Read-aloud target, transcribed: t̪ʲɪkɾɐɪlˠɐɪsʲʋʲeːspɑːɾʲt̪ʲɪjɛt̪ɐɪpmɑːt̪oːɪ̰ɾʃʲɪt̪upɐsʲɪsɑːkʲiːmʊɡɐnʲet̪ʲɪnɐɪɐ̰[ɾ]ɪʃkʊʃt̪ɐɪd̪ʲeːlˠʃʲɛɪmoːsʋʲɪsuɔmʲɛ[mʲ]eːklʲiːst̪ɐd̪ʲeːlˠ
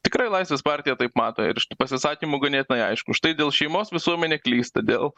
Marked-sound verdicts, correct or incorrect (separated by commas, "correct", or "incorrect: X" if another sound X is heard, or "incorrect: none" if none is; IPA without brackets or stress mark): incorrect: none, incorrect: nʲ